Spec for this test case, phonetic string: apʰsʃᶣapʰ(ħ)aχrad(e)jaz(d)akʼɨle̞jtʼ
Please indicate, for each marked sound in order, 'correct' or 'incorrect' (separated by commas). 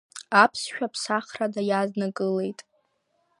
incorrect, incorrect, incorrect